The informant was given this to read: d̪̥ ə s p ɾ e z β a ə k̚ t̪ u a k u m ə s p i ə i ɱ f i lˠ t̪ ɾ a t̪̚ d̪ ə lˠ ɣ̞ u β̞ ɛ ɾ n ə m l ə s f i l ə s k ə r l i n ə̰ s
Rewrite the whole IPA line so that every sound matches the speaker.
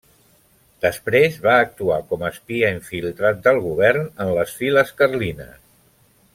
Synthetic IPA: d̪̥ ə s p ɾ e z β a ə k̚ t̪ u a k ɔ m ə s p i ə i ɱ f i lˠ t̪ ɾ a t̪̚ d̪ ə lˠ ɣ̞ u β̞ ɛ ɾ n ə n l ə s f i l ə s k ə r l i n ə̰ s